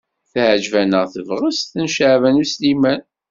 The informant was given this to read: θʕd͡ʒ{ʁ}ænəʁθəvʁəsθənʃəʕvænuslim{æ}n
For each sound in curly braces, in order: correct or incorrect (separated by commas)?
incorrect, correct